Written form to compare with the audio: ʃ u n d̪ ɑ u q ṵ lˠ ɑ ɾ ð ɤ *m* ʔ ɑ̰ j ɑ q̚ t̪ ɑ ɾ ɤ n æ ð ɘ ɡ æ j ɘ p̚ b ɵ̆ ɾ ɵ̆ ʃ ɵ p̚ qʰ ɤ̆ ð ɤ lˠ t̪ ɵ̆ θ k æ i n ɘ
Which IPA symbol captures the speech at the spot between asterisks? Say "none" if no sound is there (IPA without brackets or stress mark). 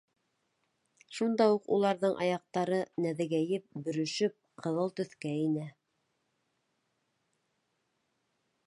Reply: ɴ